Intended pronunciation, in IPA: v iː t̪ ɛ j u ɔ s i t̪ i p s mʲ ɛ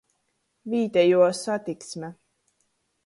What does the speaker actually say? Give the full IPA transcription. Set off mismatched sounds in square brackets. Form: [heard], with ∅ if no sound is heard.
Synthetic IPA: v iː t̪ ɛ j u ɔ s [a] t̪ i [k] s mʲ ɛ